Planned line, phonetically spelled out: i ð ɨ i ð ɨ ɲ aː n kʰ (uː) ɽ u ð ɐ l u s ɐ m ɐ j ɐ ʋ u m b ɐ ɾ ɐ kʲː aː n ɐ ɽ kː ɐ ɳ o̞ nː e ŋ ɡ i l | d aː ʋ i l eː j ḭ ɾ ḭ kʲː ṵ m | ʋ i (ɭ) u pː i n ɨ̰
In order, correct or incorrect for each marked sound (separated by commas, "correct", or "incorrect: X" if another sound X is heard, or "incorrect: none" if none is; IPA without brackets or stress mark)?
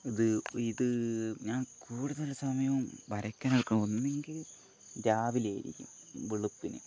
correct, correct